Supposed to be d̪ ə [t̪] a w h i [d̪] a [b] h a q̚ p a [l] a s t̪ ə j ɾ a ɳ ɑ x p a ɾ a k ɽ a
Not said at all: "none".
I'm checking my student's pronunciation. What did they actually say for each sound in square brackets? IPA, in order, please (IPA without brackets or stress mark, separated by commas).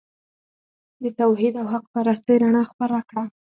t̪, d̪, w, ɾ